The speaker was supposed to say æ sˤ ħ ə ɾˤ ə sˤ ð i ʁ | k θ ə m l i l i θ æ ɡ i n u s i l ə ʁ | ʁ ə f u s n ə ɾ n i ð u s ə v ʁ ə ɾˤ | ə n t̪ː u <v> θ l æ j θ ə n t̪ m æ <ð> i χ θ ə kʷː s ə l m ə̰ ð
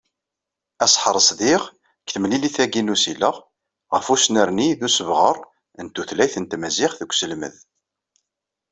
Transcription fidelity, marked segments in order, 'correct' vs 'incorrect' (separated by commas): incorrect, incorrect